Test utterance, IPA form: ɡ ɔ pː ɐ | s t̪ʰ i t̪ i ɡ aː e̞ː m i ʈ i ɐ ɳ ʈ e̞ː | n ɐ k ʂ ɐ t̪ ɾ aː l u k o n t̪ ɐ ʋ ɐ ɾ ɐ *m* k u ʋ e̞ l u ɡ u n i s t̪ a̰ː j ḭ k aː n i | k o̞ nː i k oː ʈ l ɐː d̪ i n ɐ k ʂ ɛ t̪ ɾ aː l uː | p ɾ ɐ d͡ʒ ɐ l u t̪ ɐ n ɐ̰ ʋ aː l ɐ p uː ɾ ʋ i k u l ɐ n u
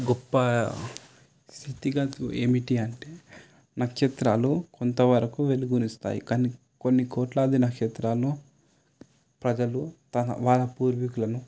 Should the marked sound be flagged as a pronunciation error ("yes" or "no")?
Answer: yes